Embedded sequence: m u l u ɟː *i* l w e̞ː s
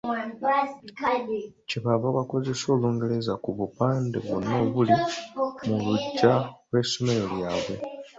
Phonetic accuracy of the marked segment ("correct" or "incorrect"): incorrect